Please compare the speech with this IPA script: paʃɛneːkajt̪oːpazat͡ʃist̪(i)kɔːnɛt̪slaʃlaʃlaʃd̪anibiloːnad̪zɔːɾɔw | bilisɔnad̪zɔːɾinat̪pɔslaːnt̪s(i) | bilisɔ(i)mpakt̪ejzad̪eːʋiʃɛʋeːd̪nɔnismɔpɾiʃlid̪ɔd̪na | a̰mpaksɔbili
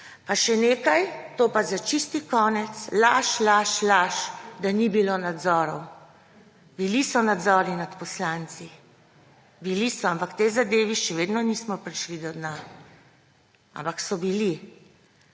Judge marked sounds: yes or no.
yes, yes, no

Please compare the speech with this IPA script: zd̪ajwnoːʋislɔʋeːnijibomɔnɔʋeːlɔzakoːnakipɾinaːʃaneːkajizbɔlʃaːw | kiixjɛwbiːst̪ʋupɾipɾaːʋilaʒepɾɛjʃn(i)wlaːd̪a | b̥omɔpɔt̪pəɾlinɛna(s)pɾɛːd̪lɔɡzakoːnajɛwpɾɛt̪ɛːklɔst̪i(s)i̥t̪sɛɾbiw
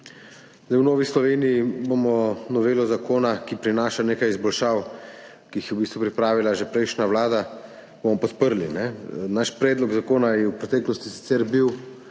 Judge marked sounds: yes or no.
no, no, yes

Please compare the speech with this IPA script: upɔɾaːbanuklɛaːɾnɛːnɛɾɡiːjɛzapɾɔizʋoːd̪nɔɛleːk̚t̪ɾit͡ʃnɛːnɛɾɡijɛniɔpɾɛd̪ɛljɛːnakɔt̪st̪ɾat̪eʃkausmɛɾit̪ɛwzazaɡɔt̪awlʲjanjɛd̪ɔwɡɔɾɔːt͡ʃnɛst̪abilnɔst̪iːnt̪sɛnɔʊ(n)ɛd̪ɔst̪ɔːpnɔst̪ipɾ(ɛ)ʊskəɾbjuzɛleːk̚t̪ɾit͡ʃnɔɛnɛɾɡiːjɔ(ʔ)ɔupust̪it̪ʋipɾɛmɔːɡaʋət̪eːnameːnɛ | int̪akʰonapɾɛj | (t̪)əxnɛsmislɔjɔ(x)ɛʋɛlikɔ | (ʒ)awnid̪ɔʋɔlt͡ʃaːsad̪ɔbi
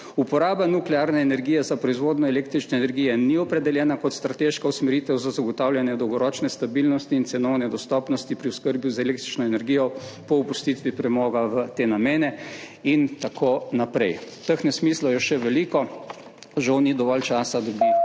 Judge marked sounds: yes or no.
yes, no, no, yes, no, yes

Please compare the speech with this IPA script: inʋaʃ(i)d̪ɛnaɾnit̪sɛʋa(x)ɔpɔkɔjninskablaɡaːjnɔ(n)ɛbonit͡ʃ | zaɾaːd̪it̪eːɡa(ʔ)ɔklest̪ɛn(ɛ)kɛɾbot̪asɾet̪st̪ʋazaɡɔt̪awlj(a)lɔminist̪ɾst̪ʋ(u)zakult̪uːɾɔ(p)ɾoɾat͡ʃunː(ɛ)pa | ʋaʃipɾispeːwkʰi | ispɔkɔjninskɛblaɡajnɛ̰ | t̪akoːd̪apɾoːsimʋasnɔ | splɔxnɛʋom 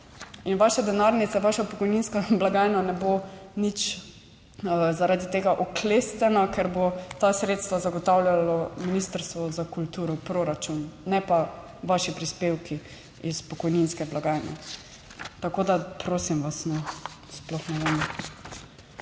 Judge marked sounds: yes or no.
no, no, yes, yes, no, yes, no, yes, yes

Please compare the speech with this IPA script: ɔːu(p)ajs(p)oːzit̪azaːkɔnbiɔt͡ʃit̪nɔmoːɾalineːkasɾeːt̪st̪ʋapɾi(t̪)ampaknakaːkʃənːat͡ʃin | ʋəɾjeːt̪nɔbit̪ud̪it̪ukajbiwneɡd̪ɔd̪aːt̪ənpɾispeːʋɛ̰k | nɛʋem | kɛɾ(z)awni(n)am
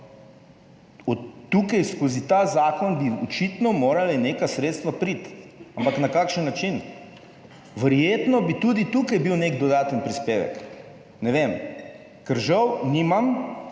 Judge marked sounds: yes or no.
no, no, yes, no, no

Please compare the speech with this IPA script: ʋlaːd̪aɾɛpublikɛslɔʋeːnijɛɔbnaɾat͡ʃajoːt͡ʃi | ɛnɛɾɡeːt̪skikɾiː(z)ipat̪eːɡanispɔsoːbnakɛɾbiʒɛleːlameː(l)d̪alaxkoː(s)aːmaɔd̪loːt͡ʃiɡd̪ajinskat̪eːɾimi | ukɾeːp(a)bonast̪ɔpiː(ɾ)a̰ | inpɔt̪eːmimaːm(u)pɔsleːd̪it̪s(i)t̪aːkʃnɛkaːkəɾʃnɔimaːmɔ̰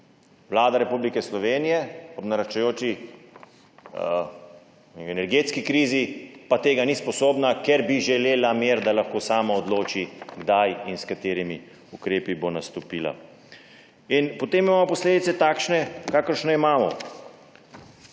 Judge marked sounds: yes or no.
yes, no, yes, no, no, no, no

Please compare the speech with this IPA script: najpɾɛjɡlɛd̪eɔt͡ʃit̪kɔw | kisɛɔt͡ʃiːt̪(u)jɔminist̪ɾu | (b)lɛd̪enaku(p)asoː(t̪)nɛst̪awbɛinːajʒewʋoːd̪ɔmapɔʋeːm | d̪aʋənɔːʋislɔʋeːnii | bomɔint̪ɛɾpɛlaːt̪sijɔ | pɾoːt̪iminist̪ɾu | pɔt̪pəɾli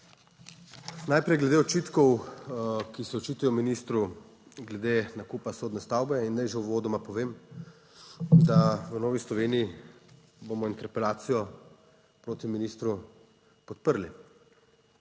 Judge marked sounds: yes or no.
yes, no, yes, no

